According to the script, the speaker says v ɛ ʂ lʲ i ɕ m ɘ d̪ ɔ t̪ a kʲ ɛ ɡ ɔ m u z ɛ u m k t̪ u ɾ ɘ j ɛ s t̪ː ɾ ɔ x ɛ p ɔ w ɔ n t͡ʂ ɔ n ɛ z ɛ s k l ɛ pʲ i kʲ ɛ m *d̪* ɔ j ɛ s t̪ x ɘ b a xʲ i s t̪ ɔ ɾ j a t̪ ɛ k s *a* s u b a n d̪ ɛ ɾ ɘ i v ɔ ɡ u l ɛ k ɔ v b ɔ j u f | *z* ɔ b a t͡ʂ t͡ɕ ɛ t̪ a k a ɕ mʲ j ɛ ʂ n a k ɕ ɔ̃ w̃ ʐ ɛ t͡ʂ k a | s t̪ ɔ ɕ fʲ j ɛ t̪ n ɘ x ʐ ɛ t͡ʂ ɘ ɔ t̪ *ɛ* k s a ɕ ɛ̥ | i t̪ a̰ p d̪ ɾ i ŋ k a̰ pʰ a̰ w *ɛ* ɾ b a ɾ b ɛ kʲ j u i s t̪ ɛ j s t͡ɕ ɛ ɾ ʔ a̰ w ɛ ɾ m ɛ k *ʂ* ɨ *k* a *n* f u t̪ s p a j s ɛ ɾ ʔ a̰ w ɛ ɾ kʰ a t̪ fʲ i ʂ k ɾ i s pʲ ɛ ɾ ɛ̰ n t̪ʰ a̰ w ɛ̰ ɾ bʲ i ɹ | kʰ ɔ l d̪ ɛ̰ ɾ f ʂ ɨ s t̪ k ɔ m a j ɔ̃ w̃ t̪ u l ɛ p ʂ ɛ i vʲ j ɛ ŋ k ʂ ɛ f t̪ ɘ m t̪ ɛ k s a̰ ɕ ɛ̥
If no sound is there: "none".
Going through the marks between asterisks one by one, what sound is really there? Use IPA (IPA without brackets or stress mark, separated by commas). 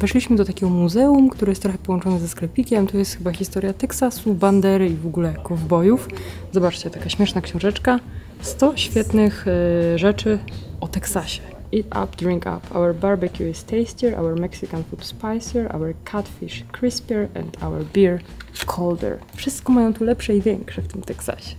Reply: t̪, a, z, ɛ, ɛ, s, k, n